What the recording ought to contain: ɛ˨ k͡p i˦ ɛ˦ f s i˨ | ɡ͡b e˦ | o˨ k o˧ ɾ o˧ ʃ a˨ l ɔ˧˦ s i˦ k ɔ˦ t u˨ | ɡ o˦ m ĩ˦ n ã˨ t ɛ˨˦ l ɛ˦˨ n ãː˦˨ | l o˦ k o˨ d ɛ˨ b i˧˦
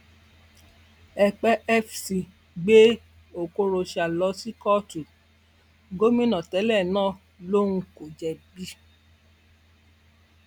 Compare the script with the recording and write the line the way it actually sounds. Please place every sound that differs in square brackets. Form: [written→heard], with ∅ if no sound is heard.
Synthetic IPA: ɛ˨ k͡p [i˦→ɛ˦] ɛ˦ f s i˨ | ɡ͡b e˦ | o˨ k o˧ ɾ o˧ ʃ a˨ l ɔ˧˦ s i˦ k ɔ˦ t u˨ | ɡ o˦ m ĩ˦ n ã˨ t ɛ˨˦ l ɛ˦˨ n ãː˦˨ | l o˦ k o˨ [d→d͡ʒ] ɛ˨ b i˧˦